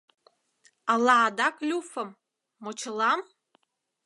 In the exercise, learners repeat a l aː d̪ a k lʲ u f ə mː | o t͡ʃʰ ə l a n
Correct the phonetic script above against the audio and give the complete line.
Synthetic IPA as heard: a l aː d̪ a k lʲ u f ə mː | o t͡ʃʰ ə l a m

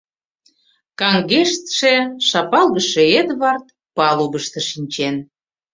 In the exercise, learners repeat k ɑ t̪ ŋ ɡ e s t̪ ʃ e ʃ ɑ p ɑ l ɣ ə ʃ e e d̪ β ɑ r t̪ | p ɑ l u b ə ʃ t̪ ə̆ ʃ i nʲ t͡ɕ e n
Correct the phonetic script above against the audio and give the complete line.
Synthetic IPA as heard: k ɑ ŋ ɡ e ʃ t̪ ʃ e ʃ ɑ p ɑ l ɣ ə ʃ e e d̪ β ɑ r t̪ | p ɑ l u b ə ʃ t̪ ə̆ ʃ i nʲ t͡ɕ e n

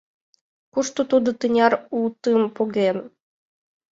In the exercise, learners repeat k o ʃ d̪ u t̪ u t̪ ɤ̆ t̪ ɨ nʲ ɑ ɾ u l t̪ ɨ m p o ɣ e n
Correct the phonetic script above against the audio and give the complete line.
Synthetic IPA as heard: k u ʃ t̪ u t̪ u d̪ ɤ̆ t̪ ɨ nʲ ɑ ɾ u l t̪ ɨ m p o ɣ e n

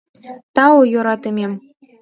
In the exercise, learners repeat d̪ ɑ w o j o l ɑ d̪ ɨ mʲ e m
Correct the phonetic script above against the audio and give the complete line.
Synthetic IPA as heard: t̪ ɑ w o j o ɾ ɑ t̪ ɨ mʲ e m

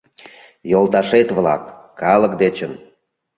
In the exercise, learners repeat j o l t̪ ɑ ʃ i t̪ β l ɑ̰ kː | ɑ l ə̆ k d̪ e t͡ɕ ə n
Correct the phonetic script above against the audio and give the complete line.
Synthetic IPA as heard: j o l t̪ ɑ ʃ e t̪ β l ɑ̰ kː | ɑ l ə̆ k d̪ e t͡ɕ ə n

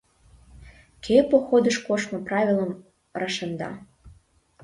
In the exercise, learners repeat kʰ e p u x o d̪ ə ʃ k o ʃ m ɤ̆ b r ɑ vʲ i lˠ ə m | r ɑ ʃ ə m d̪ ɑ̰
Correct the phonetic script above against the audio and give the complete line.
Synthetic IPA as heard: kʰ e p o x o d̪ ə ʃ k o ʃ m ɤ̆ p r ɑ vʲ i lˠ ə m | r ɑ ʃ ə n d̪ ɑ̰

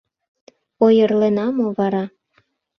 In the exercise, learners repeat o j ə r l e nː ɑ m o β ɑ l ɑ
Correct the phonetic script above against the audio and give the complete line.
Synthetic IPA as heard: o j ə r l e n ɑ m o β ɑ ɾ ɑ

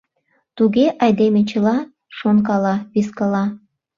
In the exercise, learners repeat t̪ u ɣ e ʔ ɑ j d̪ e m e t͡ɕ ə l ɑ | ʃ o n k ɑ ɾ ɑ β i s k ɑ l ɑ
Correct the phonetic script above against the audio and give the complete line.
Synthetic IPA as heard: t̪ u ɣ e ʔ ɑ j d̪ e m e t͡ɕ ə l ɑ | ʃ o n k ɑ l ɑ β i s k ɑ l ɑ

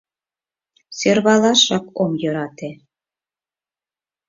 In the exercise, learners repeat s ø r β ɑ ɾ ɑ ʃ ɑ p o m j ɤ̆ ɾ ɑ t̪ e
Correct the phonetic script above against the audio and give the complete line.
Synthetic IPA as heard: s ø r β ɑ l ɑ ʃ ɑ k o m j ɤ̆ ɾ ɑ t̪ e

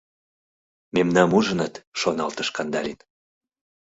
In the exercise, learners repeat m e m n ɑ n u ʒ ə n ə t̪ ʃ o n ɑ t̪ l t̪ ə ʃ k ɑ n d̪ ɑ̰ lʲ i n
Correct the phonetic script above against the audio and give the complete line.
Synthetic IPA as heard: m e m n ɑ m u ʒ ə n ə t̪ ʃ o n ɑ l t̪ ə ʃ k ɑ n d̪ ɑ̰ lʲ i n

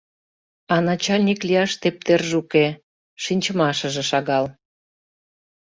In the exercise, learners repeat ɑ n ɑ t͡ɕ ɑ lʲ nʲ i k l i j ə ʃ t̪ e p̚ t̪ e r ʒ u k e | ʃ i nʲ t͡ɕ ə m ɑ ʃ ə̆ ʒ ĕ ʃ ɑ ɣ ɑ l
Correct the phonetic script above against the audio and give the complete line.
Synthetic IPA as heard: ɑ n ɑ t͡ɕ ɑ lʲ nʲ i k l i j ɑ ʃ t̪ e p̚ t̪ e r ʒ u k e | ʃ i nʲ t͡ɕ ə m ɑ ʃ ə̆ ʒ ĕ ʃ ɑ ɣ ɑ l

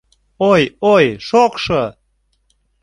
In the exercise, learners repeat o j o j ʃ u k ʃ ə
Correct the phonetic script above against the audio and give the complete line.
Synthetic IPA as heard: o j o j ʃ o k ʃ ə

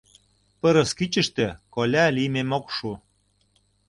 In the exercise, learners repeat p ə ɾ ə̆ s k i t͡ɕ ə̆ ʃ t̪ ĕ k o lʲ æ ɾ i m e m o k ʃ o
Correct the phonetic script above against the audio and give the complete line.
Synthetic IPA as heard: p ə ɾ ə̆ s k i t͡ɕ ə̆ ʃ t̪ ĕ k o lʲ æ l i m e m o k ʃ u

